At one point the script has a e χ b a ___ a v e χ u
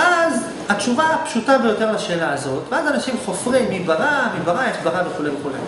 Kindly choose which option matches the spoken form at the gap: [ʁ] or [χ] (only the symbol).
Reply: ʁ